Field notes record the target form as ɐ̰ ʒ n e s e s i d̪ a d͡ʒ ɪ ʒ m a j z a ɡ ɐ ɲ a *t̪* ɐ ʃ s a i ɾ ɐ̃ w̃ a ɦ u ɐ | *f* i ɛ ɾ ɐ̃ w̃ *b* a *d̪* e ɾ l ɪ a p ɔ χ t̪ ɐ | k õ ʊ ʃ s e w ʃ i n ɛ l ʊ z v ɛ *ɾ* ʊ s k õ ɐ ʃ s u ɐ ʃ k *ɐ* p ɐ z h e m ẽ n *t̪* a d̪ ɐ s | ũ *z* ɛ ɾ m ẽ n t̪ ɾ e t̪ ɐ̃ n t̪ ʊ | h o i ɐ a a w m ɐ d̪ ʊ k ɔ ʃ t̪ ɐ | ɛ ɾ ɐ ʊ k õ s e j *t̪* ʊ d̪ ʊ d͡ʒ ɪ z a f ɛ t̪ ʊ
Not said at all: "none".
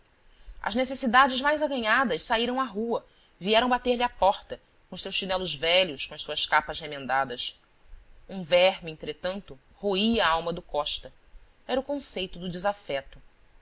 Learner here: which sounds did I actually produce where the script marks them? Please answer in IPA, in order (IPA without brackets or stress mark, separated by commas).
d̪, v, b, t̪, ʎ, a, d̪, v, t̪